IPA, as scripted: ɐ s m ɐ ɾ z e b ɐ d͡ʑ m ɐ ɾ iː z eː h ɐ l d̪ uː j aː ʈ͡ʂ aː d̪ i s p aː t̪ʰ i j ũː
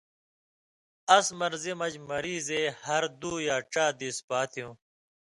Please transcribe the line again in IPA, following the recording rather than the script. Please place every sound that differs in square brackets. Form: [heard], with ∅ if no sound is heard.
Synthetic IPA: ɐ s m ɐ ɾ z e [m] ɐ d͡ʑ m ɐ ɾ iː z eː h ɐ [ɾ] d̪ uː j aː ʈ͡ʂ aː d̪ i s p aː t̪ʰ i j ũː

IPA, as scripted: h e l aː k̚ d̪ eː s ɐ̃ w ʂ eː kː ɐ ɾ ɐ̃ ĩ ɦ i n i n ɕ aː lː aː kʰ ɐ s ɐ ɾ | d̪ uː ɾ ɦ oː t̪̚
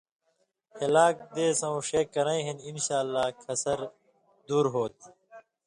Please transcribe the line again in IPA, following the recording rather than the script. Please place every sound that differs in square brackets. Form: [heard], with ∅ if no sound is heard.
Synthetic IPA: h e l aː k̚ d̪ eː s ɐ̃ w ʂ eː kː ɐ ɾ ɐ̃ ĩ ɦ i n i n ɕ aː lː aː kʰ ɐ s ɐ ɾ | d̪ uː ɾ ɦ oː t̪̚

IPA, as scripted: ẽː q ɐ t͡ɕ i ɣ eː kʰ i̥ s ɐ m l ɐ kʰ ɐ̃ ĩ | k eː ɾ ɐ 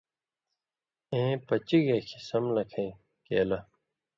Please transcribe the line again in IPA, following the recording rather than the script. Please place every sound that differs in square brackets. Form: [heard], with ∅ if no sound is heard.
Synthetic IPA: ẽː [p] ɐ t͡ɕ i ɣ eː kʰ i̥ s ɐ m l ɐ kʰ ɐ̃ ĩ | k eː [l] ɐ

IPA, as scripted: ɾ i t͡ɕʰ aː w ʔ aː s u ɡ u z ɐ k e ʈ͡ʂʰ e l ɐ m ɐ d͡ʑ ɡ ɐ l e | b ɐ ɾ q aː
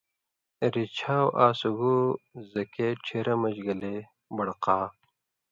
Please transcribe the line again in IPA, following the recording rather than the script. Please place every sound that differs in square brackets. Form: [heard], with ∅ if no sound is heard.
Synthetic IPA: ɾ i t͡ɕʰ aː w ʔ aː s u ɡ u z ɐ k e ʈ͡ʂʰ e [ɾ] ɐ m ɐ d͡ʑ ɡ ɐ l e | b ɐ [ɽ] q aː

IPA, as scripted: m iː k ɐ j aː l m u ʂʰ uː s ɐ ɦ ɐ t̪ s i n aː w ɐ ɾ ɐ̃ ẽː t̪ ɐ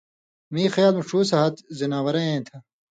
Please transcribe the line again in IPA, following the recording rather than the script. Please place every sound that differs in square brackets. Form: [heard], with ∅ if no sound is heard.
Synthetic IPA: m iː [x] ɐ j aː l m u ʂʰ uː s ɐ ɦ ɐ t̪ [z] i n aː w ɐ ɾ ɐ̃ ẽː [t̪ʰ] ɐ

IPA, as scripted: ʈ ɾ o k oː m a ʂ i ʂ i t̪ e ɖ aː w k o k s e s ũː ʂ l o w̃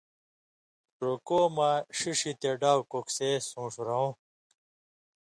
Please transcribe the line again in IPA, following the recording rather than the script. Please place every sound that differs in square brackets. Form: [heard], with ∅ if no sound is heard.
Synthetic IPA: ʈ ɾ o k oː m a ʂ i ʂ i t̪ e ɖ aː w k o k s e s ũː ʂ [ɾ] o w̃

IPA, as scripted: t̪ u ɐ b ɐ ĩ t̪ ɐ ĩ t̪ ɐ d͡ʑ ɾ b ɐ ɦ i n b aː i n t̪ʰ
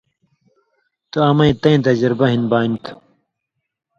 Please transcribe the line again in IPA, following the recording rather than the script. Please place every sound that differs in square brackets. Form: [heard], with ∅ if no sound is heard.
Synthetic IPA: t̪ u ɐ [m] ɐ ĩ t̪ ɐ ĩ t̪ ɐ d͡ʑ ɾ b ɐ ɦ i n b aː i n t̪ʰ

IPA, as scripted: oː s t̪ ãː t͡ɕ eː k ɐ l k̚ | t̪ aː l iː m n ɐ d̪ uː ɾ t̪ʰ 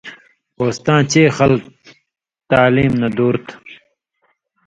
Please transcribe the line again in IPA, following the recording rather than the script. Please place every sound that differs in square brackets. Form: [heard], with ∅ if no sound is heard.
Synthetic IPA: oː s t̪ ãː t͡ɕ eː [x] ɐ l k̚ | t̪ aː l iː m n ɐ d̪ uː ɾ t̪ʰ

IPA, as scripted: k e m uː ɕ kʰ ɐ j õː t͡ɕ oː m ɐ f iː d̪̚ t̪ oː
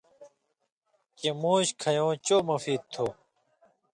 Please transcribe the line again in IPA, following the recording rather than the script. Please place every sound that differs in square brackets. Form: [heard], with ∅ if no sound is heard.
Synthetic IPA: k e m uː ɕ kʰ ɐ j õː t͡ɕ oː m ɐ f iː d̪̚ [t̪ʰ] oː

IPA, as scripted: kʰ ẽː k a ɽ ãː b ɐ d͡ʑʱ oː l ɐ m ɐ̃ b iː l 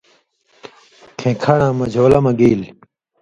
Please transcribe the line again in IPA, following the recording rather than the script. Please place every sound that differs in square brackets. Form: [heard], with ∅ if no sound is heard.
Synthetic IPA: kʰ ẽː [kʰ] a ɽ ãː [m] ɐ d͡ʑʱ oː l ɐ m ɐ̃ [ɡ] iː l

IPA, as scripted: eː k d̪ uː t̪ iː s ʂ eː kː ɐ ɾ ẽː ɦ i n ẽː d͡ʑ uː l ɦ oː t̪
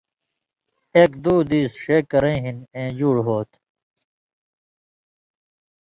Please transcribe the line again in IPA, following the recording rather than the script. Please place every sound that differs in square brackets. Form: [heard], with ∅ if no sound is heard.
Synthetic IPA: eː k d̪ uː [d̪] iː s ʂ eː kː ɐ ɾ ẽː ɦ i n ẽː d͡ʑ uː [ɽ] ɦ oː t̪

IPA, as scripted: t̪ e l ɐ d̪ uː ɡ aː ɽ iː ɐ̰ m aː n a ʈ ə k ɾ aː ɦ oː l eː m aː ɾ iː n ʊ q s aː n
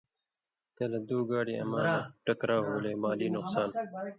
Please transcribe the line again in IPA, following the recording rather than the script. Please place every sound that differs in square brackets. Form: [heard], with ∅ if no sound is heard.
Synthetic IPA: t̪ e l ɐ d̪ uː ɡ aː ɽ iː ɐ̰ m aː n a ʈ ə k ɾ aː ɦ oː l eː m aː [l] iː n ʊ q s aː n

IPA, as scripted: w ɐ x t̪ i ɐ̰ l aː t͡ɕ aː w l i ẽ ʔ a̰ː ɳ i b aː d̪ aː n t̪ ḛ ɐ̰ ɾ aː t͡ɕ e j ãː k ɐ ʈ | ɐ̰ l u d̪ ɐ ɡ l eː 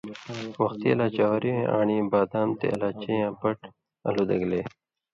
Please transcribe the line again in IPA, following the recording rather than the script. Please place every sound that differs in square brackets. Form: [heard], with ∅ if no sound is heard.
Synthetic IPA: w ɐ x t̪ i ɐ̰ l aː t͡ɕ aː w [ɾ] i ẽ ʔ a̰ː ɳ i b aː d̪ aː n t̪ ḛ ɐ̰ [l] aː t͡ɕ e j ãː [p] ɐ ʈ | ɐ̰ l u d̪ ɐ ɡ l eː

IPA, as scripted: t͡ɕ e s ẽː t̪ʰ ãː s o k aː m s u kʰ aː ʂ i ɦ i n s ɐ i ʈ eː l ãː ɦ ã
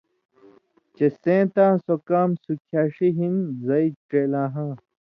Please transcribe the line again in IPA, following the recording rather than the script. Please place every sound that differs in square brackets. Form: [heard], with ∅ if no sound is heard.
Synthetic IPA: t͡ɕ e s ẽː [t̪] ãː s o k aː m s u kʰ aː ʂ i ɦ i n [z] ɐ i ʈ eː l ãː ɦ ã

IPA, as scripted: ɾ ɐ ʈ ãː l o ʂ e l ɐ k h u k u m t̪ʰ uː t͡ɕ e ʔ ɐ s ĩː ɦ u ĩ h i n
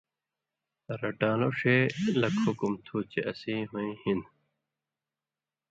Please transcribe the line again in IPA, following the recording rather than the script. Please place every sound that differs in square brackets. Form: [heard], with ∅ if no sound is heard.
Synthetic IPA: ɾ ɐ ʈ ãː l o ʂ e l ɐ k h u k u m t̪ʰ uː t͡ɕ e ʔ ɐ s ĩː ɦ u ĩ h i n

